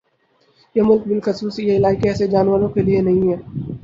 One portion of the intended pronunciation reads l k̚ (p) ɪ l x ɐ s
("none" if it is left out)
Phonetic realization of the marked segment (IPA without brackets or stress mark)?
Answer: b